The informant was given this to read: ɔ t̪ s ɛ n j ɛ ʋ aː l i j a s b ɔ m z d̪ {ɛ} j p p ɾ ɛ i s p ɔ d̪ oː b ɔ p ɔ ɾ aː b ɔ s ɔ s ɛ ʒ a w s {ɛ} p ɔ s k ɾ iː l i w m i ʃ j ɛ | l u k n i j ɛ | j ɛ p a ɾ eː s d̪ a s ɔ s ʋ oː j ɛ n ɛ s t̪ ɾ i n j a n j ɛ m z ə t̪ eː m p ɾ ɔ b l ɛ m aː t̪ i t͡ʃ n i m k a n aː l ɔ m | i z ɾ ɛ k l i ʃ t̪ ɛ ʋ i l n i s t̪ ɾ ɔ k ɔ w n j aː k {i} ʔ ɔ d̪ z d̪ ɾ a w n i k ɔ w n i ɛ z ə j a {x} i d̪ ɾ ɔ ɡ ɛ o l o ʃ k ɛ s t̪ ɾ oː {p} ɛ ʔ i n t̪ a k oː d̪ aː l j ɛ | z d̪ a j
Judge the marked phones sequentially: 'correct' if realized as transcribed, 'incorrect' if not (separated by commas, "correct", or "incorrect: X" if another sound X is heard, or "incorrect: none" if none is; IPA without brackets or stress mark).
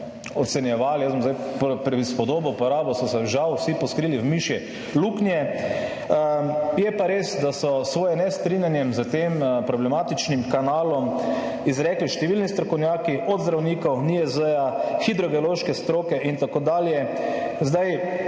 incorrect: a, incorrect: i, correct, correct, incorrect: k